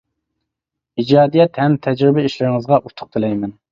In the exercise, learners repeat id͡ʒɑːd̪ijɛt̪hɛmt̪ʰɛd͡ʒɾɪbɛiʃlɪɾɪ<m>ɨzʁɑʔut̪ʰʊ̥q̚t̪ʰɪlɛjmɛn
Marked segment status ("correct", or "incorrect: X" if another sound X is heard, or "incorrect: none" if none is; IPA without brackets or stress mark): incorrect: ŋ